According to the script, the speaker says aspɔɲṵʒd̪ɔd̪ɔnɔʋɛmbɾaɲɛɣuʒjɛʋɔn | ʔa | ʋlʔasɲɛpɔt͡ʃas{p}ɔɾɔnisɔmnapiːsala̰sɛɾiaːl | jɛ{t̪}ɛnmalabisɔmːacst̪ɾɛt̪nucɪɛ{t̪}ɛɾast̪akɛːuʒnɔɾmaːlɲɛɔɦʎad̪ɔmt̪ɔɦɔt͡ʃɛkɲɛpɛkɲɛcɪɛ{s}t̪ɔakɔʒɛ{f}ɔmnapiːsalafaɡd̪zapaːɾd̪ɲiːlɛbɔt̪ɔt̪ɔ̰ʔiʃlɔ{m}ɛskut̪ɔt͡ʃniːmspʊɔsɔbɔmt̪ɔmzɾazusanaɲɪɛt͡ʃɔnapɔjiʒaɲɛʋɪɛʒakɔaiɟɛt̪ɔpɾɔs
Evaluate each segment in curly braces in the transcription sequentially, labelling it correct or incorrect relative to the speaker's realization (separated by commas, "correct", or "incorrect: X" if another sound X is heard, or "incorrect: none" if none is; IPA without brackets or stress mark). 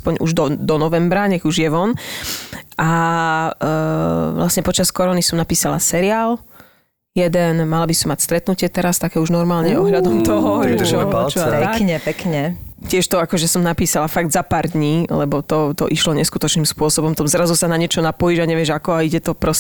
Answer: incorrect: k, incorrect: d̪, correct, incorrect: ʃ, incorrect: s, incorrect: ɲ